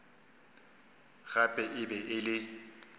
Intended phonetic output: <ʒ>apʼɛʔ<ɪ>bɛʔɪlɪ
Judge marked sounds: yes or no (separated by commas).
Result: no, yes